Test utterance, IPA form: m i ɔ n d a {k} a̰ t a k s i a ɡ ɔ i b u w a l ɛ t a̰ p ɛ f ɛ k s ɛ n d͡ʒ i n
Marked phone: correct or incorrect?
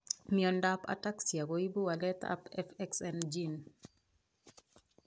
incorrect: p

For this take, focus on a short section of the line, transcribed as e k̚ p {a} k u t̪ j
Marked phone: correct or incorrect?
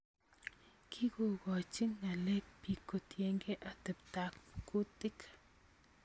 incorrect: i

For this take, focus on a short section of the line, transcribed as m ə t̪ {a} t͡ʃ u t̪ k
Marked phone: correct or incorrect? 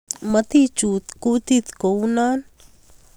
incorrect: i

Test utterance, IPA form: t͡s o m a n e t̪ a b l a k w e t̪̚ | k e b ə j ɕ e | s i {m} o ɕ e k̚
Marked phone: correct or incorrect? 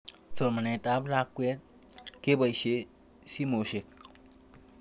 correct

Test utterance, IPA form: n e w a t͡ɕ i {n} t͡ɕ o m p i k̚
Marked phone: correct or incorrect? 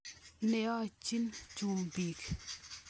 correct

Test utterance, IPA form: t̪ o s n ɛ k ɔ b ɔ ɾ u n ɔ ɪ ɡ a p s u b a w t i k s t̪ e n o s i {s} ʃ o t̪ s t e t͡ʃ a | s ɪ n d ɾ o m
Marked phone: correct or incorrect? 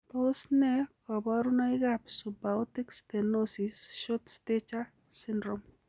correct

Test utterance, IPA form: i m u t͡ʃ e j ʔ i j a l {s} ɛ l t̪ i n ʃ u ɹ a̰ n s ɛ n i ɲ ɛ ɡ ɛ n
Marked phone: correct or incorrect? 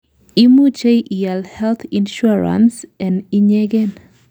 incorrect: h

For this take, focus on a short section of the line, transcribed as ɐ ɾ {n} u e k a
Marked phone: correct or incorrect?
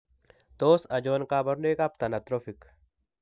correct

